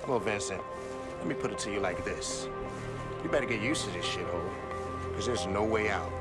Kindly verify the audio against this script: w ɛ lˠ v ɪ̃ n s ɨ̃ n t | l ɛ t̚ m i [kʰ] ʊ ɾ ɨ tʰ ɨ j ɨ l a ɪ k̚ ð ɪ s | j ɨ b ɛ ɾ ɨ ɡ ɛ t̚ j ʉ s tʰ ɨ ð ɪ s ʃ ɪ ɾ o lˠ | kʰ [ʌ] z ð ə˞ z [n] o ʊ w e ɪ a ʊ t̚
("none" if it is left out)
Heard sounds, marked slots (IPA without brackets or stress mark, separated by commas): pʰ, ʌ, n